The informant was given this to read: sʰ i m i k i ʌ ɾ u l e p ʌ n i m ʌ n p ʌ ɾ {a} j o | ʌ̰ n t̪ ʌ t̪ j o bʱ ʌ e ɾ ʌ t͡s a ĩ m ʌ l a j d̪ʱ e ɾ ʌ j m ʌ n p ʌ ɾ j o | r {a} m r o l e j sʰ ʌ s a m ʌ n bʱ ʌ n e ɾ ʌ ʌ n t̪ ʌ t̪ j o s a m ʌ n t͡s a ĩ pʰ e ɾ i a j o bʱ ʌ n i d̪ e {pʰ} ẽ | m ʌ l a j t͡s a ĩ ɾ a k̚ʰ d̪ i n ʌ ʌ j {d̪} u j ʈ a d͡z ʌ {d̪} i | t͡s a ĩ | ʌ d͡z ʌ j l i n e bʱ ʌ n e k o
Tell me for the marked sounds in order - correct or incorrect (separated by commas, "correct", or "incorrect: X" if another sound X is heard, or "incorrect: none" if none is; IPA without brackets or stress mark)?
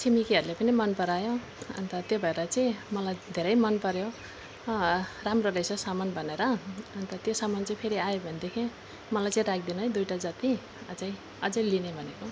correct, correct, incorrect: kʰ, correct, incorrect: t̪